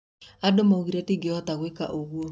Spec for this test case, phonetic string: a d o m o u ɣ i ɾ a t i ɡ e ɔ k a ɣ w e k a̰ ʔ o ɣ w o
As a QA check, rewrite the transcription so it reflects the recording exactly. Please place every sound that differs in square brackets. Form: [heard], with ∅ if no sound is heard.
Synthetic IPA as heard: a d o m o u ɣ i ɾ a t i ɡ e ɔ [t] a ɣ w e k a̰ ʔ o ɣ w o